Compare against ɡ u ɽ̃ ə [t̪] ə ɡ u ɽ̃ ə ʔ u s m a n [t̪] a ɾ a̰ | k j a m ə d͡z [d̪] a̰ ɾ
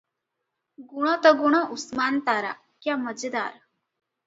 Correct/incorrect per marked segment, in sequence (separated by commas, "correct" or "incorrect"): correct, correct, correct